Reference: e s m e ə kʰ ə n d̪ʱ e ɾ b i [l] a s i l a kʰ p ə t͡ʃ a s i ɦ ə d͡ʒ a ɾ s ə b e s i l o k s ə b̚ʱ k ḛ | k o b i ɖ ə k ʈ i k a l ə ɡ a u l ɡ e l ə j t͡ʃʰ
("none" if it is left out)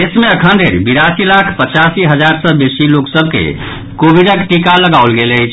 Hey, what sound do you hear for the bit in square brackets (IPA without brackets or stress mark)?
ɾ